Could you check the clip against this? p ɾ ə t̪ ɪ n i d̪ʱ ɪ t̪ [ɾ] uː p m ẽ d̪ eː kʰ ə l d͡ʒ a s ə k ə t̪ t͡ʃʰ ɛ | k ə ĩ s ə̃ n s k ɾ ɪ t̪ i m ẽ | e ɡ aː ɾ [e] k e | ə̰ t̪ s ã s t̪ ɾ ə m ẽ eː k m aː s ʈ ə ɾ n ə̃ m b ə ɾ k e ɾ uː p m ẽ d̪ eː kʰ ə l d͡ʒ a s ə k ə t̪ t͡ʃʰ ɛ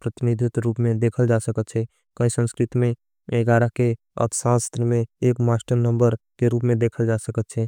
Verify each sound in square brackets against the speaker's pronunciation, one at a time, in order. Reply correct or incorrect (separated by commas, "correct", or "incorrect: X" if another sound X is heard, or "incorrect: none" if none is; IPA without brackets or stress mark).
correct, incorrect: a